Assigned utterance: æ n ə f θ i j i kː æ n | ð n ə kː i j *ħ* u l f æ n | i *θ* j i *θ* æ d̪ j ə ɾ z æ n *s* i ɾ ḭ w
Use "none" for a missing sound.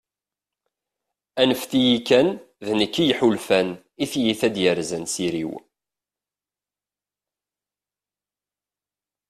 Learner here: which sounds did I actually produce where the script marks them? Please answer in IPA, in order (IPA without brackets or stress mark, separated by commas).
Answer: ħ, θ, θ, s